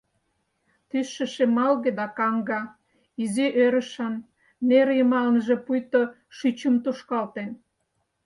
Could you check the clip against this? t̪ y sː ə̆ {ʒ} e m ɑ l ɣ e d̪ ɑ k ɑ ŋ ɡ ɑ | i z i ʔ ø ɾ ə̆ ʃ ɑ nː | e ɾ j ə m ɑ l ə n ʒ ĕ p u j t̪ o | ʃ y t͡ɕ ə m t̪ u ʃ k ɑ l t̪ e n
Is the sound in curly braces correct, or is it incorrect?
incorrect: ʃ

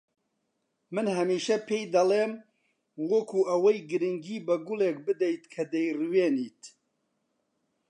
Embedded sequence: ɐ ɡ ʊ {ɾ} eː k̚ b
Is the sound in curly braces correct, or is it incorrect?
incorrect: l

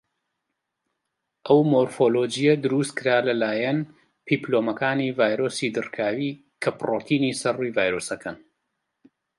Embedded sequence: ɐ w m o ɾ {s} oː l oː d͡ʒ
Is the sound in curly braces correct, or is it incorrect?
incorrect: f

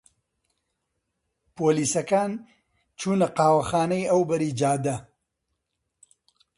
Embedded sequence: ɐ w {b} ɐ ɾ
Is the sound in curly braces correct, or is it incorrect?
correct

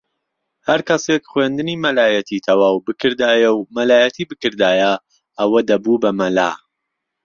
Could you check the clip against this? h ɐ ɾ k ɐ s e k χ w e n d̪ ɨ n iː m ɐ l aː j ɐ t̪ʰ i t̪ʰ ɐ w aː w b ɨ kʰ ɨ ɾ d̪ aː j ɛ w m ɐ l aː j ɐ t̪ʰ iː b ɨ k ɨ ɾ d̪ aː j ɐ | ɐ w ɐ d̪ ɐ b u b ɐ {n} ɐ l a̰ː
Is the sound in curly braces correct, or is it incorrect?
incorrect: m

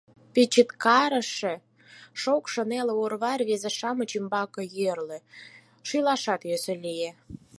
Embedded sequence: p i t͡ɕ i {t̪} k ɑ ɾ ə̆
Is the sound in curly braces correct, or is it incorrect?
correct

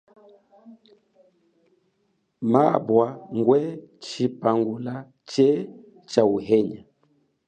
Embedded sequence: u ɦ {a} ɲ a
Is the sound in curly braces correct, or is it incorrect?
incorrect: ɛ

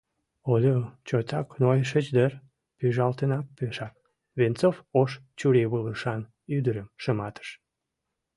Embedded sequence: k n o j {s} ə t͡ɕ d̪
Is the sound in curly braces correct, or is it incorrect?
incorrect: ʃ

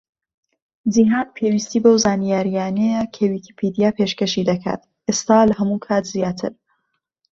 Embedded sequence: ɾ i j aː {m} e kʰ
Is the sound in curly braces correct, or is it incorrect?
incorrect: n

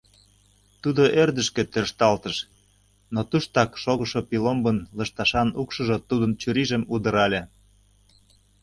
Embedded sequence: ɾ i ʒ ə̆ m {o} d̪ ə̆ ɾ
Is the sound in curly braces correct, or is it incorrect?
incorrect: u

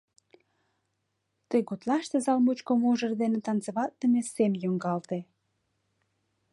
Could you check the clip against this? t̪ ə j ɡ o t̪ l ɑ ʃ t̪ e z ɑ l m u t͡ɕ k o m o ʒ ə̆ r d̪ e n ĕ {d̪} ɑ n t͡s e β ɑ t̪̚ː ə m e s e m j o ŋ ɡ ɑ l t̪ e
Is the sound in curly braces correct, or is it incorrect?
incorrect: t̪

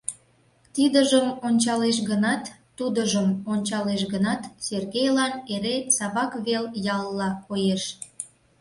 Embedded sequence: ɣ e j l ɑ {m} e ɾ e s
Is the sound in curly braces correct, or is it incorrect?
incorrect: n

